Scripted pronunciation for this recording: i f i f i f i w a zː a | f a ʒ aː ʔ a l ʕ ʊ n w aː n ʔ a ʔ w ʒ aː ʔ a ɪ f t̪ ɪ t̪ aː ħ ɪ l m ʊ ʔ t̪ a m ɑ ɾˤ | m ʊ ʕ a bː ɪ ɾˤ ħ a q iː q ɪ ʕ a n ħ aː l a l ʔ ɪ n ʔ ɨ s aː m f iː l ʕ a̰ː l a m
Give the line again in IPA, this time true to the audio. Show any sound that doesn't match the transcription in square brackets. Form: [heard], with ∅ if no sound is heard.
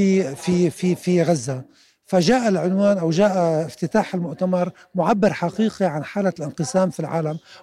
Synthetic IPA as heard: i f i f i f i [ɣ] a zː a | f a ʒ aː ʔ a l ʕ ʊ n w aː n ʔ a [∅] w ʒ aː ʔ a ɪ f t̪ ɪ t̪ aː ħ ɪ l m ʊ ʔ t̪ a m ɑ ɾˤ | m ʊ ʕ a bː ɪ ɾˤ ħ a q iː q [i] ʕ a n ħ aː l a l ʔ ɪ n [q] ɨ s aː m f [i] l ʕ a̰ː l a m